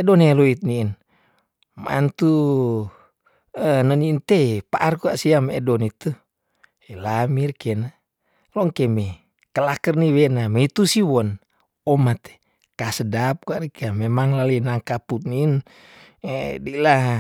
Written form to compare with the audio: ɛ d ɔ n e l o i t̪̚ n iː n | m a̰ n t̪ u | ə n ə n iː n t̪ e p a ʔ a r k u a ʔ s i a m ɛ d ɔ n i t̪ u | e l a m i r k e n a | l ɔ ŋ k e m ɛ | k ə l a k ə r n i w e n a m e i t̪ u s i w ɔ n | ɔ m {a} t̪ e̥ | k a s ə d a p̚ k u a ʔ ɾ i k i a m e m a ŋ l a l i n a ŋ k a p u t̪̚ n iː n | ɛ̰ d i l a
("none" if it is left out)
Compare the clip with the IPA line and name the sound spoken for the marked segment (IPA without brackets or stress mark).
a